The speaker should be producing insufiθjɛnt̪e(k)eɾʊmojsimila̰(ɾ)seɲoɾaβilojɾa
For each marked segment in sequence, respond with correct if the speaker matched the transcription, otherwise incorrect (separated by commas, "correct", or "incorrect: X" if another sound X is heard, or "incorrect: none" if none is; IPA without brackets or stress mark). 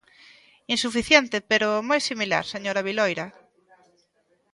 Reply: incorrect: p, correct